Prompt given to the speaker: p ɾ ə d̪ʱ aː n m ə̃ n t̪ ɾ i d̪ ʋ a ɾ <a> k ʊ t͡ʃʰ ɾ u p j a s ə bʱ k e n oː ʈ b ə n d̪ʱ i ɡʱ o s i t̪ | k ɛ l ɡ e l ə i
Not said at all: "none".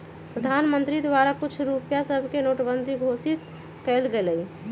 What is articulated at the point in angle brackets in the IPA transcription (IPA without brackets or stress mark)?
a